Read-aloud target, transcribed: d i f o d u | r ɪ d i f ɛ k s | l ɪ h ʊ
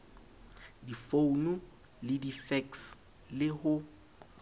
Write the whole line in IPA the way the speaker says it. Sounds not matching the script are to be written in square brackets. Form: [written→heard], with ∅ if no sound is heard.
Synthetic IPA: d i f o [d→n] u | [r→l] ɪ d i f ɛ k s | l ɪ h ʊ

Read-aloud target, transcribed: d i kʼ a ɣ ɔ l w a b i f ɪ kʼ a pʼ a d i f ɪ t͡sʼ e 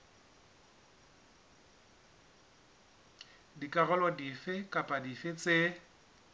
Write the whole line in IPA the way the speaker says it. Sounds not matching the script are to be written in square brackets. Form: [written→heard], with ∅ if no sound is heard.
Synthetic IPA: d i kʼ a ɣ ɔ l w a [b→d] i f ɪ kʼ a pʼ a d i f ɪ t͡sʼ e

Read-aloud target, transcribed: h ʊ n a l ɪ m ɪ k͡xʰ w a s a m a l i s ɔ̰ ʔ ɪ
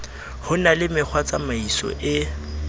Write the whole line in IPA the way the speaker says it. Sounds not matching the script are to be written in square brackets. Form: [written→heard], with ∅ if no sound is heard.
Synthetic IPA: h ʊ n a l ɪ m ɪ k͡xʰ w a [s→t͡s] a m a [l→∅] i s ɔ̰ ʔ ɪ

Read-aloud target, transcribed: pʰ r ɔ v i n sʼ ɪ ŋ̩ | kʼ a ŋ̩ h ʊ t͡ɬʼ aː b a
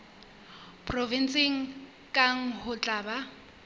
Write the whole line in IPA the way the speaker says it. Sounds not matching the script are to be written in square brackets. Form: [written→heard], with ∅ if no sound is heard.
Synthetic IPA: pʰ r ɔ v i n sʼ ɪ ŋ̩ | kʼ a ŋ̩ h ʊ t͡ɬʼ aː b a

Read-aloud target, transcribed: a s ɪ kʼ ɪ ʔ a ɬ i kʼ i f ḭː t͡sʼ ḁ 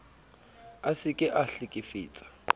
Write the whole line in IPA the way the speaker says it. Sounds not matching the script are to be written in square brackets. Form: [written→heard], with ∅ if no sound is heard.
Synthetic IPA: a s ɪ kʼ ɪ ʔ a ɬ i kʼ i f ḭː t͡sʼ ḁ

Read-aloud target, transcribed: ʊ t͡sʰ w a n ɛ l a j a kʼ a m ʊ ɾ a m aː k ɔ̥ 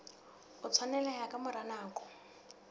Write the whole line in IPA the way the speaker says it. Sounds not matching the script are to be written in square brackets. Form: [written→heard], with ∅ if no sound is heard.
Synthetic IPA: ʊ t͡sʰ w a n ɛ l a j a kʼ a m ʊ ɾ a [m→n] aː k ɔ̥

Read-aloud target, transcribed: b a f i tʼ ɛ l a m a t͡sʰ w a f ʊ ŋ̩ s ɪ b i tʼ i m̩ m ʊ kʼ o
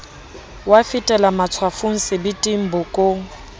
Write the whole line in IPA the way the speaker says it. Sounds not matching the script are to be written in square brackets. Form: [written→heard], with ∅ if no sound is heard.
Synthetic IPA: [b→w] a f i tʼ ɛ l a m a t͡sʰ w a f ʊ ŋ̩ s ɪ b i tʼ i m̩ [m→b] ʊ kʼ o

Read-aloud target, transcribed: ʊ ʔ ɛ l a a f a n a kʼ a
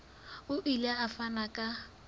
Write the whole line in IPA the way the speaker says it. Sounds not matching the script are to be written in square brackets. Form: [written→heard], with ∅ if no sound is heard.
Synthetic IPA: ʊ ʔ [ɛ→i] l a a f a n a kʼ a

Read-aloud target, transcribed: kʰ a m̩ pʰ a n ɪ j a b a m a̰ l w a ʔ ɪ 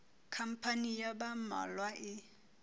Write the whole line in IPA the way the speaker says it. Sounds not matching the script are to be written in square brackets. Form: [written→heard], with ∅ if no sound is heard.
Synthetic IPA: kʰ a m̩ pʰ a n [ɪ→i] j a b a m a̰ l w a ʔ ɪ

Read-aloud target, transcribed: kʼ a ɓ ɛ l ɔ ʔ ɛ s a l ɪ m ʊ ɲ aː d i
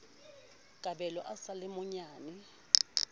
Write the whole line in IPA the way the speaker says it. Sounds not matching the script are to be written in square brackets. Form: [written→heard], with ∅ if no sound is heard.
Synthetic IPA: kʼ a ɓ ɛ l ɔ ʔ [ɛ→a] s a l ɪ m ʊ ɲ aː [d→n] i

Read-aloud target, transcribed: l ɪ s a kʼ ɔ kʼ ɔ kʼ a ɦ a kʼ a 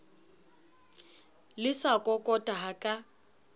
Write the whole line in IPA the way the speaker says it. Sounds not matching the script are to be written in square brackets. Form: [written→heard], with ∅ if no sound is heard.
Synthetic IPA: l ɪ s a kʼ ɔ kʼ ɔ [kʼ→tʼ] a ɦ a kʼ a

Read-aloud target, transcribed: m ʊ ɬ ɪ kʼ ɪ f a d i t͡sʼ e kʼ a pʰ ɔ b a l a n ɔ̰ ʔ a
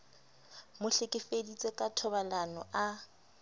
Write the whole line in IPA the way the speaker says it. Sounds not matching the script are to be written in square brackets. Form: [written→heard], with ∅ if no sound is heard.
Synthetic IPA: m ʊ ɬ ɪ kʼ ɪ f [a→e] d i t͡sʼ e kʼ a [pʰ→tʰ] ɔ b a l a n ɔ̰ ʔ a

